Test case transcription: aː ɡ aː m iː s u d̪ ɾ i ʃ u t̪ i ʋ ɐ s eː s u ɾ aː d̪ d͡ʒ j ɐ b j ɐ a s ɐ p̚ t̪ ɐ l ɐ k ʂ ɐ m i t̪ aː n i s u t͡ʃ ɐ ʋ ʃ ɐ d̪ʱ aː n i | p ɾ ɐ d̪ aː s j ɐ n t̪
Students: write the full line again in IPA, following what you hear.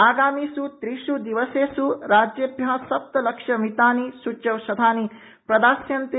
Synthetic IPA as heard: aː ɡ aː m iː s u t̪ ɾ i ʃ u d̪ i ʋ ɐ s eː s u ɾ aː d͡ʒ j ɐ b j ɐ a s ɐ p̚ t̪ ɐ l ɐ k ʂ ɐ m i t̪ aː n i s u t͡ʃ ɐ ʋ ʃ ɐ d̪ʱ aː n i | p ɾ ɐ d̪ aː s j ɐ n t̪

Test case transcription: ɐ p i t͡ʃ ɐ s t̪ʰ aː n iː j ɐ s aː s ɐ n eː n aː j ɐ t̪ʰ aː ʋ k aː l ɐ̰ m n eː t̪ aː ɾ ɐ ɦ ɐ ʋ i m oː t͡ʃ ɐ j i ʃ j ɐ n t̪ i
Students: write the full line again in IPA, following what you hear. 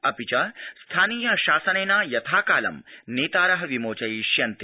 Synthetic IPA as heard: ɐ p i t͡ʃ ɐ s t̪ʰ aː n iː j ɐ ʃ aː s ɐ n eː n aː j ɐ t̪ʰ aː k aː l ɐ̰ m n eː t̪ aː ɾ ɐ ɦ ɐ ʋ i m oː t͡ʃ ɐ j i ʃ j ɐ n t̪ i

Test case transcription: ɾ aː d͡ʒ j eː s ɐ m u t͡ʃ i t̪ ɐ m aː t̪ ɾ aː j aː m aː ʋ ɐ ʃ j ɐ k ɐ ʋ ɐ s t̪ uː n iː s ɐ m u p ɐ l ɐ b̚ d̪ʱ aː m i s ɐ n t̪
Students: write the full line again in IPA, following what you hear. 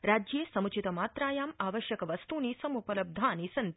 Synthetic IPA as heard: ɾ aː d͡ʒ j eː s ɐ m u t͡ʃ i t̪ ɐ m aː t̪ ɾ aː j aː m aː ʋ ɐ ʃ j ɐ k ɐ ʋ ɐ s t̪ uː n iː s ɐ m u p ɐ l ɐ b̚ d̪ʱ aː n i s ɐ n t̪

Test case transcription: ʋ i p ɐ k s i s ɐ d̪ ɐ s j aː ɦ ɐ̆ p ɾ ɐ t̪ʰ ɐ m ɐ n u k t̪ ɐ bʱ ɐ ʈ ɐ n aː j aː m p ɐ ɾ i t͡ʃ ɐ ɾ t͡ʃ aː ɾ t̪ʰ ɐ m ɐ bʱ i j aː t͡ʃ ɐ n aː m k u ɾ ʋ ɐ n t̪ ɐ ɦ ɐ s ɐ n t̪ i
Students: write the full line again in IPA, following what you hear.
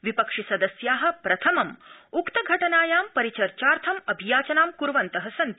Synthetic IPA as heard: ʋ i p ɐ k ʂ i s ɐ d̪ ɐ s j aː ɦ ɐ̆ p ɾ ɐ t̪ʰ ɐ m ɐ m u k t̪ ɐ ɡʱ ɐ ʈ ɐ n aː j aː m p ɐ ɾ i t͡ʃ ɐ ɾ t͡ʃ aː ɾ t̪ʰ ɐ m ɐ bʱ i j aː t͡ʃ ɐ n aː m k u ɾ ʋ ɐ n t̪ ɐ ɦ ɐ s ɐ n t̪ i

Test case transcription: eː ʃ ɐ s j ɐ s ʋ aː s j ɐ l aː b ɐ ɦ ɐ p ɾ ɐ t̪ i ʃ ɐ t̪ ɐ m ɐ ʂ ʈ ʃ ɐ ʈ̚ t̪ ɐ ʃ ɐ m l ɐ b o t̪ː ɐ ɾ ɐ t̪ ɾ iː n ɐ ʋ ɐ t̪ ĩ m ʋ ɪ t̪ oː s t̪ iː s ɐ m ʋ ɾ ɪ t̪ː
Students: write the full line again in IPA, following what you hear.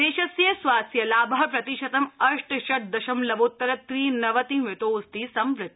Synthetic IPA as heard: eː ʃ ɐ s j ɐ s ʋ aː s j ɐ l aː b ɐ ɦ ɐ p ɾ ɐ t̪ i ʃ ɐ t̪ ɐ m ɐ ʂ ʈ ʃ ɐ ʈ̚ d̪ ɐ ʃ ɐ m l ɐ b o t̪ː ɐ ɾ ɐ t̪ ɾ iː n ɐ ʋ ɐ t̪ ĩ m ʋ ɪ t̪ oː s t̪ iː s ɐ m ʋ ɾ ɪ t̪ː

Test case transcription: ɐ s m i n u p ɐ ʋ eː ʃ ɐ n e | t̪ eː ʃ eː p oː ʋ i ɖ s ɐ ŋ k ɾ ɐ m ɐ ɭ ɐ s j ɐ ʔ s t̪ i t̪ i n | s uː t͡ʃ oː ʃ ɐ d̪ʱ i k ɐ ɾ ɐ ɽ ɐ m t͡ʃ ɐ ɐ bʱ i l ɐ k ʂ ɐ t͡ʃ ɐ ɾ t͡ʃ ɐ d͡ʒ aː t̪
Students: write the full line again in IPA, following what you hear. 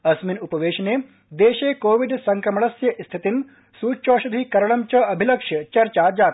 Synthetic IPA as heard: ɐ s m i n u p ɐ ʋ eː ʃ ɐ n e | d̪ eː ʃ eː k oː ʋ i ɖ s ɐ ŋ k ɾ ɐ m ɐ ɭ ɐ s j ɐ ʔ s t̪ʰ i t̪ i n | s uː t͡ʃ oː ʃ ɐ d̪ʱ i k ɐ ɾ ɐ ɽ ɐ m t͡ʃ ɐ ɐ bʱ i l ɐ k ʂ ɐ t͡ʃ ɐ ɾ t͡ʃ a d͡ʒ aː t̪

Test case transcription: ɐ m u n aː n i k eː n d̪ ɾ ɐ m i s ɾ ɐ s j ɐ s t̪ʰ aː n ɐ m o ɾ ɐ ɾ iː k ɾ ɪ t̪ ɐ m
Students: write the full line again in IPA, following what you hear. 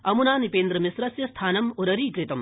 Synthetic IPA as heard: ɐ m u n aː n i p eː n d̪ ɾ ɐ m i s ɾ ɐ s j ɐ s t̪ʰ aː n ɐ m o ɾ ɐ ɾ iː k ɾ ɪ t̪ ɐ m

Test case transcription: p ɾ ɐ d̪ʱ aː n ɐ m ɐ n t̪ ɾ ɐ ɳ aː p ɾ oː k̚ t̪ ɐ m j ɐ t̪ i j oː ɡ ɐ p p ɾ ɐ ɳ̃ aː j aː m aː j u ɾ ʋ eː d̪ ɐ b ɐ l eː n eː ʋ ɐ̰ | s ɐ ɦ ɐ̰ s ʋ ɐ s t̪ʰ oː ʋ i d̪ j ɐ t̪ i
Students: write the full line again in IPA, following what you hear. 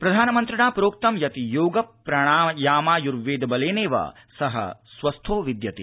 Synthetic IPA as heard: p ɾ ɐ d̪ʱ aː n ɐ m ɐ n t̪ ɾ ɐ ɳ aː p ɾ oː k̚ t̪ ɐ m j ɐ t̪ i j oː ɡ ɐ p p ɾ ɐ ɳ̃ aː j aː m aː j u ɾ ʋ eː d̪ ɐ b ɐ l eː n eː ʋ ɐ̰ | s ɐ ɦ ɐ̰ s ʋ ɐ s t̪ʰ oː ʋ i d̪ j ɐ t̪ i

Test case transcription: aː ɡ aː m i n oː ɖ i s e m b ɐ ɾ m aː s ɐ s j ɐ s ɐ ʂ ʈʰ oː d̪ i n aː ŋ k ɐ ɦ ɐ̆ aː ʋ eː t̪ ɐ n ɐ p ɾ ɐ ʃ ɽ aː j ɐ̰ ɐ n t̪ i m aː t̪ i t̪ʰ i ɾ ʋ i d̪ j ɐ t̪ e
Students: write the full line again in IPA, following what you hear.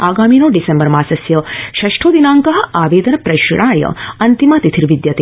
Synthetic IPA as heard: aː ɡ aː m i n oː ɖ i s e m b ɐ ɾ m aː s ɐ s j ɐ ʃ ɐ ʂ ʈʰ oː d̪ i n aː ŋ k ɐ ɦ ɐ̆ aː ʋ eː d̪ ɐ n ɐ p ɾ ɐ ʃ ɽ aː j ɐ̰ ɐ n t̪ i m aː t̪ i t̪ʰ i ɾ ʋ i d̪ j ɐ t̪ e

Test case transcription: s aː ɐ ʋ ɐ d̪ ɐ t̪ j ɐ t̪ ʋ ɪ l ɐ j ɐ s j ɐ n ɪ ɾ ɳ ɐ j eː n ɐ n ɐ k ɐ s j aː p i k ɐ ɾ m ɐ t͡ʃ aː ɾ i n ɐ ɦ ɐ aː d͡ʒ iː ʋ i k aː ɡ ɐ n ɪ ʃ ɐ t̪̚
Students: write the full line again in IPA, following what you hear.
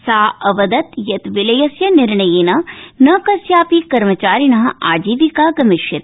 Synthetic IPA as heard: s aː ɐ ʋ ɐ d̪ ɐ t̪ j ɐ t̪ ʋ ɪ l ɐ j ɐ s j ɐ n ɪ ɾ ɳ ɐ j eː n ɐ n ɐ k ɐ s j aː p i k ɐ ɾ m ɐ t͡ʃ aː ɾ i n ɐ ɦ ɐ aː d͡ʒ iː ʋ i k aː ɡ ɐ m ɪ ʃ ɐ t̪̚

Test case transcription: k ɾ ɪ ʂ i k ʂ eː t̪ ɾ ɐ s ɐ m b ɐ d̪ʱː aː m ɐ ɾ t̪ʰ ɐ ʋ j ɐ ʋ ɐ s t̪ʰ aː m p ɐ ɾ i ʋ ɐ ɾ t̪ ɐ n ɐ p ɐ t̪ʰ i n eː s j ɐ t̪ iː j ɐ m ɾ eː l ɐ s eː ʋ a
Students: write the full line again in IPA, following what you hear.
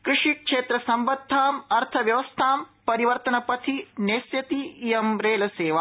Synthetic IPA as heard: k ɾ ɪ ʂ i k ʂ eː t̪ ɾ ɐ s ɐ m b ɐ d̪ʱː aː m ɐ ɾ t̪ʰ ɐ ʋ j ɐ ʋ ɐ s t̪ʰ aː m p ɐ ɾ i ʋ ɐ ɾ t̪ ɐ n ɐ p ɐ t̪ʰ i n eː s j ɐ t̪ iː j ɐ m ɾ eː l ɐ s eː ʋ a

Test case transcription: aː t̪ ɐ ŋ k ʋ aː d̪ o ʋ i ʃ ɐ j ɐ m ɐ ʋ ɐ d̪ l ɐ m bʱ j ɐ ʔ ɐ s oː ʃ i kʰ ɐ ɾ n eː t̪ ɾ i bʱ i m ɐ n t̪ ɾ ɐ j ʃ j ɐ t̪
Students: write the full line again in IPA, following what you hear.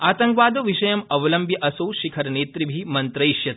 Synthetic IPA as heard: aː t̪ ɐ ŋ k ʋ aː d̪ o ʋ i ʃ ɐ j ɐ m ɐ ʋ ɐ l ɐ m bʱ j ɐ ʔ ɐ s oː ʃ i kʰ ɐ ɾ n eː t̪ ɾ i bʱ i m ɐ n t̪ ɾ ɐ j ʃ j ɐ t̪

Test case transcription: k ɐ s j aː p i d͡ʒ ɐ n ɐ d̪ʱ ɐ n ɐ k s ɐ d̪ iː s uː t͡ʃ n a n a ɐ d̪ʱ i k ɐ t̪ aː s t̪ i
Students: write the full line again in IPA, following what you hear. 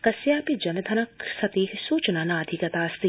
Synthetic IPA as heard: k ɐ s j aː p i d͡ʒ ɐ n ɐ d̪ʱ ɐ n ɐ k s ɐ t̪ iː s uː t͡ʃ n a n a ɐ d̪ʱ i k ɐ t̪ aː s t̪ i

